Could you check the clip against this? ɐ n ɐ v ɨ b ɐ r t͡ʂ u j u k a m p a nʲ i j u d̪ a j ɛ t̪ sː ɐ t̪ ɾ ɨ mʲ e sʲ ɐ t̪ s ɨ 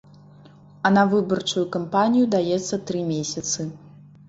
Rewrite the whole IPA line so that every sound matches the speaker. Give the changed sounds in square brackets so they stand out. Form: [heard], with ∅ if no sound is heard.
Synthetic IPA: ɐ n ɐ v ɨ b ɐ r t͡ʂ u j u k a m p a nʲ i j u d̪ a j ɛ t̪ sː ɐ t̪ ɾ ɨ mʲ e sʲ ɐ t̪ s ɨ